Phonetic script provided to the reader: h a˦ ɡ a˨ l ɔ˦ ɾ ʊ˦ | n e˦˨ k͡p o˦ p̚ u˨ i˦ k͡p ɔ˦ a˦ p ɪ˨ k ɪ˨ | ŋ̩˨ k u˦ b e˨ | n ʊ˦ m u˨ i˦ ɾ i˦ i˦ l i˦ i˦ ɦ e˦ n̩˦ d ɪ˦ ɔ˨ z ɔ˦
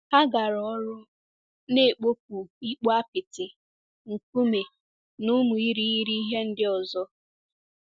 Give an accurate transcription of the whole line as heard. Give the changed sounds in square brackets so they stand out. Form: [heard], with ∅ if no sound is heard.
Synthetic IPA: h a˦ ɡ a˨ [ɾ] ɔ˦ ɾ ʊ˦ | n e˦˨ k͡p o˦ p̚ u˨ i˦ k͡p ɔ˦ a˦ p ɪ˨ [t] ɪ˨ | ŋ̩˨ k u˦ [m] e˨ | n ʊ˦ m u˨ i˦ ɾ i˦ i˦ [ɾ] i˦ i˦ ɦ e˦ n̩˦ d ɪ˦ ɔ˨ z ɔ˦